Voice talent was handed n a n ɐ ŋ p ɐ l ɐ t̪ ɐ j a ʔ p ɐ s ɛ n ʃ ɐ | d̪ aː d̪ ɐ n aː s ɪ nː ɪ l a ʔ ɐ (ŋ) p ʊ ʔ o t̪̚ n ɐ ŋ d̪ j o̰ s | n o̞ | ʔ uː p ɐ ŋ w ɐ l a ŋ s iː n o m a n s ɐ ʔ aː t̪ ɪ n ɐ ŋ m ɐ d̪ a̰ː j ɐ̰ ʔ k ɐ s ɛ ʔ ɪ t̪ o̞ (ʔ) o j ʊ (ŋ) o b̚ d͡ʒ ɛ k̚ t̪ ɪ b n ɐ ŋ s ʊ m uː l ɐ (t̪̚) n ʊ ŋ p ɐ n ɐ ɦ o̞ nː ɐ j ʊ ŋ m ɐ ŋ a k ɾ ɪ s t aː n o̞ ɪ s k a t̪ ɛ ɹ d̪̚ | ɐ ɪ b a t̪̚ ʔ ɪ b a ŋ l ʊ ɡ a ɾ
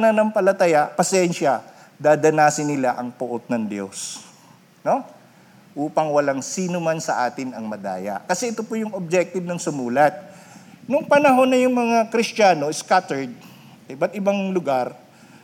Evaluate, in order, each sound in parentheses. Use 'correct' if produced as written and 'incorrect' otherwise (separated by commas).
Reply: correct, incorrect, correct, correct